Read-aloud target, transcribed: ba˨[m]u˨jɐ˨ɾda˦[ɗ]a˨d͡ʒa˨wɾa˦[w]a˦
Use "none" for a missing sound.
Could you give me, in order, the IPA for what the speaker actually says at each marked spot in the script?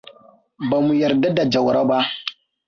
m, d, b

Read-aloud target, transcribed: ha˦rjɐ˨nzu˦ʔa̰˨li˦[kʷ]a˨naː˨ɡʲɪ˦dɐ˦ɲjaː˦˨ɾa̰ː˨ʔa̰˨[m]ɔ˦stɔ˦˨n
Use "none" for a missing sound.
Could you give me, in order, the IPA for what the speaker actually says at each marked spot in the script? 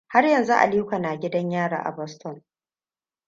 kʷ, b

